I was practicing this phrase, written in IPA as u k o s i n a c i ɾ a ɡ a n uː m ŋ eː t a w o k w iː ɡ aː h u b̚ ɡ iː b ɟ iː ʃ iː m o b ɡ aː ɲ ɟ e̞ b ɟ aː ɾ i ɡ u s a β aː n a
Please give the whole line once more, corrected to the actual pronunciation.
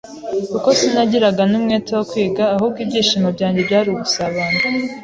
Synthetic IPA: u k o s i n a ɟ i ɾ a ɡ a n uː m ŋ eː t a w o k w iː ɡ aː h u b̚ ɡ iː b ɟ iː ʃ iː m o b ɟ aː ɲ ɟ e̞ b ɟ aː ɾ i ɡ u s a β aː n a